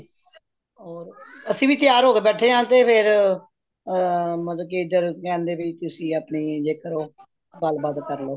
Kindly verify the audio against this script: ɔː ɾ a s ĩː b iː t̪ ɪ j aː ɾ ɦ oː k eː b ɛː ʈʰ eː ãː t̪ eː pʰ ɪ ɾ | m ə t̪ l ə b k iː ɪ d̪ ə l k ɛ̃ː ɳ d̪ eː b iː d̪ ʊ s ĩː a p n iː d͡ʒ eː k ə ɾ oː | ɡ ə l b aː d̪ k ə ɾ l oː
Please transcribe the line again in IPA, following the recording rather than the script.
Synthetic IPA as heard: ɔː ɾ ə s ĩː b iː t̪ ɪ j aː ɾ ɦ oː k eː b ɛː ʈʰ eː ãː t̪ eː pʰ ɪ ɾ | m ə t̪ l ə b k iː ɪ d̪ ə ɾ k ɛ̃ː n d̪ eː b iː t̪ ʊ s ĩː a p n iː d͡ʒ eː k ə ɾ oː | ɡ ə l b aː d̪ k ə ɾ l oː